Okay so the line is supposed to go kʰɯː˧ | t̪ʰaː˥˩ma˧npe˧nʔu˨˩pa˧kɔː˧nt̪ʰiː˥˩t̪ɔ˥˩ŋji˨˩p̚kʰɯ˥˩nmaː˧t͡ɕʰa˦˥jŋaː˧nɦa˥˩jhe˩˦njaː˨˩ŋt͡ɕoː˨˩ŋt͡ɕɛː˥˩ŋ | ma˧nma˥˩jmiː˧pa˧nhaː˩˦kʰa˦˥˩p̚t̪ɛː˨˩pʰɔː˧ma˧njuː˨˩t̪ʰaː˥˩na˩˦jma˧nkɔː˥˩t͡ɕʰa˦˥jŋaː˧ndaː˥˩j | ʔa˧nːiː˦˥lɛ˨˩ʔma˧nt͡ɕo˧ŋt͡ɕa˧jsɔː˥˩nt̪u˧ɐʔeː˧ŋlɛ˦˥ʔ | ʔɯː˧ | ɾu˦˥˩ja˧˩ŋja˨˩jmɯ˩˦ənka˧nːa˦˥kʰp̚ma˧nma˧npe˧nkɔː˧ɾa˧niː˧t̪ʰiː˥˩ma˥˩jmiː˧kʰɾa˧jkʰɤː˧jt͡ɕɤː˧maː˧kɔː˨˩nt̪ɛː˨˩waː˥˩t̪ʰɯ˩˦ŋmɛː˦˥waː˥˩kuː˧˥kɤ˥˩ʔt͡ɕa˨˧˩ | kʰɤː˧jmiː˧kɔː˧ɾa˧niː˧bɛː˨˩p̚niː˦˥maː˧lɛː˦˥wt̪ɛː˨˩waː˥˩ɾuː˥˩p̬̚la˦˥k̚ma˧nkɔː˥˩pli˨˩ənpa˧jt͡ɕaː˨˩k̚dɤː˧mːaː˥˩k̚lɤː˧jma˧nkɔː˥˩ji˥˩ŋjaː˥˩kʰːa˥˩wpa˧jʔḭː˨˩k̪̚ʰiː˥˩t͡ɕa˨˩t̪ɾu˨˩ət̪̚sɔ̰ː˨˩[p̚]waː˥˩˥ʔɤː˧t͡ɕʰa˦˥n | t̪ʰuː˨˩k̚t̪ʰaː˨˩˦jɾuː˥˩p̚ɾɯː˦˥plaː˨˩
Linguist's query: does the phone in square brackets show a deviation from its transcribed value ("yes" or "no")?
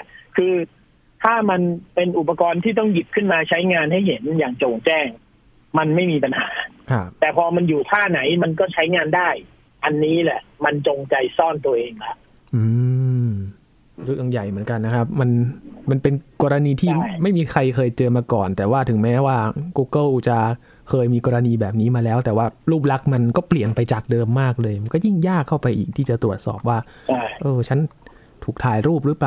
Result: no